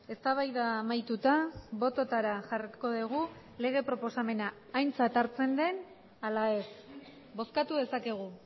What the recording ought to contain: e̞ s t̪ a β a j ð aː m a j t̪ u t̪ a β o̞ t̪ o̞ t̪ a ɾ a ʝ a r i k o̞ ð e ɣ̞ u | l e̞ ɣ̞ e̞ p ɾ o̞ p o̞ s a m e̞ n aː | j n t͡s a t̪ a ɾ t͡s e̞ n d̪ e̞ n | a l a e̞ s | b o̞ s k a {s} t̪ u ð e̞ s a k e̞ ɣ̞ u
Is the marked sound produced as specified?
no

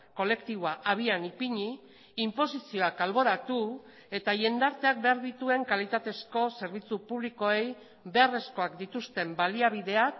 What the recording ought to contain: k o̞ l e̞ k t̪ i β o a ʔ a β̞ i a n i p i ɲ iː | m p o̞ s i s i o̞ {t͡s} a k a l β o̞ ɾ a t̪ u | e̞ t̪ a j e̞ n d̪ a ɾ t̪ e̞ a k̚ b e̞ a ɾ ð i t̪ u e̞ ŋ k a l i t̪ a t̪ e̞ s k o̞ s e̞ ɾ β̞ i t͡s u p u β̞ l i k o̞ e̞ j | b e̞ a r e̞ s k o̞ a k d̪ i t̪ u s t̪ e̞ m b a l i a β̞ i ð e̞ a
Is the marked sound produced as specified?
no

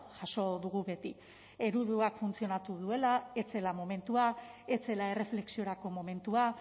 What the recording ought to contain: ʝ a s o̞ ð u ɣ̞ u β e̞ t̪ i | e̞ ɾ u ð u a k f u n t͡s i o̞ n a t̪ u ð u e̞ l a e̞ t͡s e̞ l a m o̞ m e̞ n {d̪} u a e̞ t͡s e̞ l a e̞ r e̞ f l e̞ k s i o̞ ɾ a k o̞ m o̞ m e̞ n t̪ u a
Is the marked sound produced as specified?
no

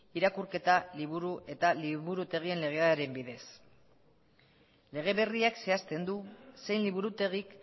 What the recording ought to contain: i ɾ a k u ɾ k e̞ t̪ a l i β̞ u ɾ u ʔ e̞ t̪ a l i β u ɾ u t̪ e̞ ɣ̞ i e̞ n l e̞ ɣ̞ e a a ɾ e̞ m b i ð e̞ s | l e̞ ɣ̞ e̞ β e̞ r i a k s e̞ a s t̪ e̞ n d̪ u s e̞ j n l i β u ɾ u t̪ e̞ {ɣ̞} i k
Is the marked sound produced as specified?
yes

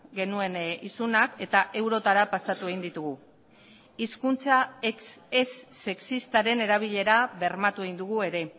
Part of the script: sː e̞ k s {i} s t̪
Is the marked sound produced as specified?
yes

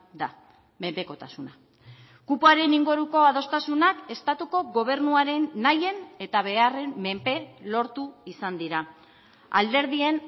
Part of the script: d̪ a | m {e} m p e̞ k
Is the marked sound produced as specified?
yes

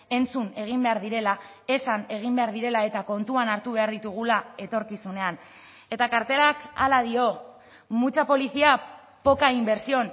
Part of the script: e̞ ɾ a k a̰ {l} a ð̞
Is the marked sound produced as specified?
yes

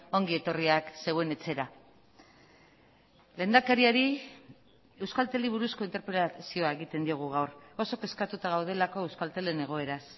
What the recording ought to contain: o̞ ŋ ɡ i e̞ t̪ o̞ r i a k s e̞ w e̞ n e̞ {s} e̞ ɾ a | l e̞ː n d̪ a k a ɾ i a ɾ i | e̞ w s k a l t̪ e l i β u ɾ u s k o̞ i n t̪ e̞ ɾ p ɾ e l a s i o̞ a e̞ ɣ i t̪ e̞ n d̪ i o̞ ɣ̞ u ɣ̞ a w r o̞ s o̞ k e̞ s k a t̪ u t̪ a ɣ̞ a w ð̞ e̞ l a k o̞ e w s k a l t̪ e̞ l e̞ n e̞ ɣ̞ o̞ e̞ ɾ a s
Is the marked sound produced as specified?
no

